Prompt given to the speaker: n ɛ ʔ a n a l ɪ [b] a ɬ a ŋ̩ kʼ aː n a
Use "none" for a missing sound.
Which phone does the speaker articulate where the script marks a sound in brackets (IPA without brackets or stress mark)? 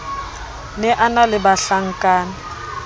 b